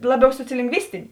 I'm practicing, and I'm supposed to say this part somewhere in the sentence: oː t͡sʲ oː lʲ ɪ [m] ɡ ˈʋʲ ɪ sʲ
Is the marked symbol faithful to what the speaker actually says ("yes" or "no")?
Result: no